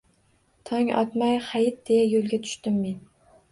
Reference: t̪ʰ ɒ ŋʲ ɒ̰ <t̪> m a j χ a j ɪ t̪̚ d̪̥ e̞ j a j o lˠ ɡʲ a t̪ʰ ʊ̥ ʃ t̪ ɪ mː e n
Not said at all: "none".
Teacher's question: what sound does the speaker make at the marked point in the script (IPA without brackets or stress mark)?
t̪